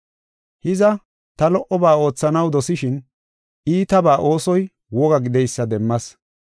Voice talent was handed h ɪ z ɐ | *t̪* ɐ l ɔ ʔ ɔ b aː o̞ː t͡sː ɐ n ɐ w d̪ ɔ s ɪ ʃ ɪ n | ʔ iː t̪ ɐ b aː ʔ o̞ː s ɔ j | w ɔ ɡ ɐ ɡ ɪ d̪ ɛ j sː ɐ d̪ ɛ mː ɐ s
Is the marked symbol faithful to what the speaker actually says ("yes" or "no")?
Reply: yes